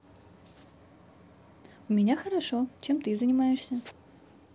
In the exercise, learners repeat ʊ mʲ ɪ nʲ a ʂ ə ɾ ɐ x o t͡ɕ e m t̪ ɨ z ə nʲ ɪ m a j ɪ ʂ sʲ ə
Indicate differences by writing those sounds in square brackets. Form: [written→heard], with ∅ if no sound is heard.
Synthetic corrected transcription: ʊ mʲ ɪ nʲ a [ʂ→x] ə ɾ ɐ [x→ʂ] o t͡ɕ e m t̪ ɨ z ə nʲ ɪ m a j ɪ ʂ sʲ ə

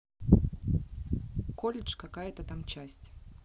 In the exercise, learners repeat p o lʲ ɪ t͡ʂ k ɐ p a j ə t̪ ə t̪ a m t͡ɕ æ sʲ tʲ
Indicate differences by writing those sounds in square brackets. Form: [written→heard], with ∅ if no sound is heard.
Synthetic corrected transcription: [p→k] o lʲ ɪ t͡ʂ k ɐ [p→k] a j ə t̪ ə t̪ a m t͡ɕ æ sʲ tʲ

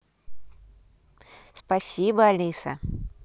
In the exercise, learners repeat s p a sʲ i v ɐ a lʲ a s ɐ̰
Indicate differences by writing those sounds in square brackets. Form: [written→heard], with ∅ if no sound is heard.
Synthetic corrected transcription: s p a sʲ i [v→b] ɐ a lʲ [a→i] s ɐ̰

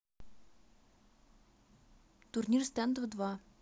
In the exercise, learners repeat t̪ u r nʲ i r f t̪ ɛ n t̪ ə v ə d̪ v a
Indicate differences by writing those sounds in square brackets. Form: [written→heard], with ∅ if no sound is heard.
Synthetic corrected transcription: t̪ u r nʲ i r [f→s] t̪ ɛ n [t̪→d̪] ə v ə d̪ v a

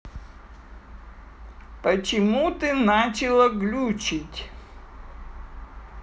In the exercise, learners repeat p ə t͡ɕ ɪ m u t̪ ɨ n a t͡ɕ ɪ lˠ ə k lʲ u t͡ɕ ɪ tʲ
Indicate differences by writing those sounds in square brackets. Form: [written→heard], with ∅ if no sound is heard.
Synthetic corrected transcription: p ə t͡ɕ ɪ m u t̪ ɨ n a t͡ɕ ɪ lˠ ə [k→ɡ] lʲ u t͡ɕ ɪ tʲ

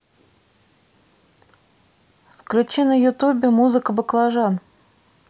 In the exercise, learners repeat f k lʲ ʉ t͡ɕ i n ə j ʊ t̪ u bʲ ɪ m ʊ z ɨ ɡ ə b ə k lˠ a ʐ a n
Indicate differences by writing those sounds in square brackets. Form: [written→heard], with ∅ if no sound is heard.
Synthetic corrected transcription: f k lʲ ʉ t͡ɕ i n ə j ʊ t̪ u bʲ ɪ m [ʊ→u] z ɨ [ɡ→k] ə b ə k lˠ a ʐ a n

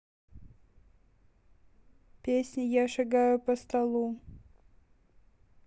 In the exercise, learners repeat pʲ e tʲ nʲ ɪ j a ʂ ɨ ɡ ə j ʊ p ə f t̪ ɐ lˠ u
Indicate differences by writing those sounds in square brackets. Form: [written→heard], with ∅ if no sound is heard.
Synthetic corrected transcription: pʲ e [tʲ→sʲ] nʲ ɪ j a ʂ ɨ ɡ [ə→a] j ʊ p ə [f→s] t̪ ɐ lˠ u

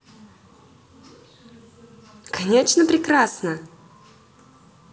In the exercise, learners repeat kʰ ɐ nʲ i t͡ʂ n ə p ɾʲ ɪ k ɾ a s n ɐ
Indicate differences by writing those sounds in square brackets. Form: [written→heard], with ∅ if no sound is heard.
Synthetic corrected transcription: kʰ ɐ nʲ [i→e] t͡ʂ n ə p ɾʲ ɪ k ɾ a s n [ɐ→ə]

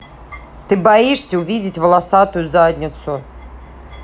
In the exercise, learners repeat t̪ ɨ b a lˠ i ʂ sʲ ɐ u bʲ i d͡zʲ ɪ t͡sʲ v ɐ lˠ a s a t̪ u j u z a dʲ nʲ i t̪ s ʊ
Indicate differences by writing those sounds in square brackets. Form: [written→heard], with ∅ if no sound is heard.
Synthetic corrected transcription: t̪ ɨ b a [lˠ→∅] i ʂ sʲ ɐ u [bʲ→vʲ] i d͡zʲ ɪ t͡sʲ v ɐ lˠ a s a t̪ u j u z a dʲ nʲ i t̪ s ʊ

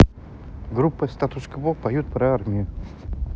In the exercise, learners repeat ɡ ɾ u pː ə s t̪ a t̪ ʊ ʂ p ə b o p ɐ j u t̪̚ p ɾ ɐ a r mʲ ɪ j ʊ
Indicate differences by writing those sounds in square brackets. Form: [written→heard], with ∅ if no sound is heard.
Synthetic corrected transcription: ɡ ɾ u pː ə s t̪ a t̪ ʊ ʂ [p→k] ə b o p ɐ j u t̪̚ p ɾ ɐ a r mʲ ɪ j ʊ

